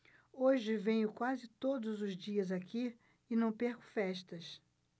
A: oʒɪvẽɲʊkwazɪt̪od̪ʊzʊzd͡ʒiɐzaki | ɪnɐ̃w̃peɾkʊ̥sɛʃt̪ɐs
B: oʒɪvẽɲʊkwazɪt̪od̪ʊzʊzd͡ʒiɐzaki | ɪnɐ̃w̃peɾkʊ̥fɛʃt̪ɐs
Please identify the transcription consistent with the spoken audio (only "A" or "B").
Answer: B